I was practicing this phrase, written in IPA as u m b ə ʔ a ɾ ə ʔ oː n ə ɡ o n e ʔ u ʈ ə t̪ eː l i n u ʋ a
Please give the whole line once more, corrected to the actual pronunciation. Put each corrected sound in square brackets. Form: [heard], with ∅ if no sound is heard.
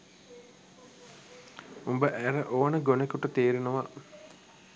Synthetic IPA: u m b ə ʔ [æ] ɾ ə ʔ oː n ə ɡ o n e [k] u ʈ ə t̪ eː [ɾ] i n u ʋ a